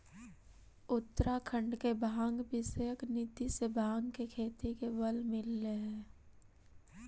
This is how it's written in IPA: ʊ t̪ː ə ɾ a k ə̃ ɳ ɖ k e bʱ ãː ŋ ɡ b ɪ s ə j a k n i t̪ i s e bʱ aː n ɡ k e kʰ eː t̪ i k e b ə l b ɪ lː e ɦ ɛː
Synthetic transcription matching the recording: ʊ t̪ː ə ɾ a kʰ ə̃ ɳ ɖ k e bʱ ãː ŋ ɡ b ɪ s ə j ə k n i t̪ i s e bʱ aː ŋ ɡ k e kʰ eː t̪ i k e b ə l m ɪ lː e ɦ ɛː